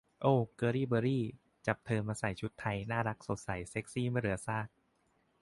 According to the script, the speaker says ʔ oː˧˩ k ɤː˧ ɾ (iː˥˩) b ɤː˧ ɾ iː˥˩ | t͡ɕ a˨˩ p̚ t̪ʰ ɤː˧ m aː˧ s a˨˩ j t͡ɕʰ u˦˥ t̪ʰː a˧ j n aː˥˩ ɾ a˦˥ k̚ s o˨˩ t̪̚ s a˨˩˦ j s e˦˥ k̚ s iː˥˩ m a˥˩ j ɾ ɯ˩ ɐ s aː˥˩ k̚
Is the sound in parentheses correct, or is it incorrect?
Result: correct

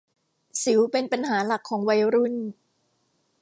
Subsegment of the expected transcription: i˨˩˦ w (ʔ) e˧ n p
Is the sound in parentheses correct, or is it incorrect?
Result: incorrect: p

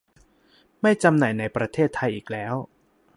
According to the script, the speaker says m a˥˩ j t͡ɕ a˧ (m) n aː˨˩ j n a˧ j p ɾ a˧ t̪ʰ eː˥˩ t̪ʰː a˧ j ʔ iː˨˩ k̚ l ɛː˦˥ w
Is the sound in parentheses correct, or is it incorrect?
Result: correct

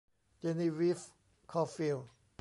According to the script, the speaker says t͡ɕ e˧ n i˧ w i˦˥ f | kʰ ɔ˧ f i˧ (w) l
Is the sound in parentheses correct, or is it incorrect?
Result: incorrect: none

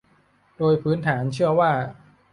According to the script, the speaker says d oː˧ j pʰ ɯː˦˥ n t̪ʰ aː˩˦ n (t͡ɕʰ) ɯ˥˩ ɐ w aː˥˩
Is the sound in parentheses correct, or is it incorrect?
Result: correct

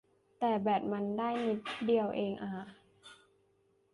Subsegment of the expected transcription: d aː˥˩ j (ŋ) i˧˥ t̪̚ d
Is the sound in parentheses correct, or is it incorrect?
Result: incorrect: n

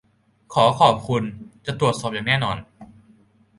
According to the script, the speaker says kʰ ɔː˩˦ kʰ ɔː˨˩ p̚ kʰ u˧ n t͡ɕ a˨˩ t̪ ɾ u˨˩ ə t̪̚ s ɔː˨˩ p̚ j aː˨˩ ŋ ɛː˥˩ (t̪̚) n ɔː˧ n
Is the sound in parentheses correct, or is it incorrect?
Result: incorrect: none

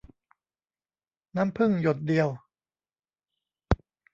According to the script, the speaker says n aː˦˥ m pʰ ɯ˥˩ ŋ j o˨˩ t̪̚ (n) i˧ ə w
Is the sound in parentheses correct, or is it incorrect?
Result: incorrect: d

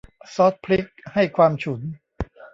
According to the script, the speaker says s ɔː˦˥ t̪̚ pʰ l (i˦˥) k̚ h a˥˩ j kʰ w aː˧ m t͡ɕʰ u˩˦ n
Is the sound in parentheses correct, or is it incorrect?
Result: correct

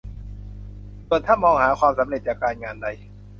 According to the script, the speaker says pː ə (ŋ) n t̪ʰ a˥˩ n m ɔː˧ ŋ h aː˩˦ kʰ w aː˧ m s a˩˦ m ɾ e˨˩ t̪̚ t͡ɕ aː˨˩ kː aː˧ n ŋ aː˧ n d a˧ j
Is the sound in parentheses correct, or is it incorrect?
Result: incorrect: none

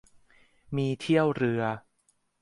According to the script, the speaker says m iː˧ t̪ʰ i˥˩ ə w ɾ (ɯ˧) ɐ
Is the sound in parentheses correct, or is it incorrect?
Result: correct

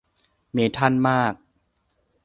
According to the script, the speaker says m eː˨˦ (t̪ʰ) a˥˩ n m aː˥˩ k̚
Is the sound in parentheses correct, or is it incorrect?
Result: correct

